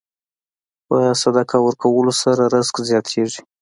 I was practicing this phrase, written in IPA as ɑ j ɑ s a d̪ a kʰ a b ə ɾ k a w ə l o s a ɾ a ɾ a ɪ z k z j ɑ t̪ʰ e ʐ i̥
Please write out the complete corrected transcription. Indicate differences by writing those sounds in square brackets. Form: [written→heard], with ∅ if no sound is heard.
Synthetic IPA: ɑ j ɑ s a d̪ a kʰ a [b→w] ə ɾ k a w ə l o s a ɾ a ɾ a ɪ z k z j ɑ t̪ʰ e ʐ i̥